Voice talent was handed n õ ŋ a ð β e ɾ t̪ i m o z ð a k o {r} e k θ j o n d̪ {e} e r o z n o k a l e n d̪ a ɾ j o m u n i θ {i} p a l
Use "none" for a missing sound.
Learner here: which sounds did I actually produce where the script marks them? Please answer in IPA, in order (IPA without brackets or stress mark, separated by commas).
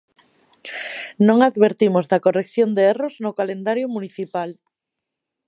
r, e, i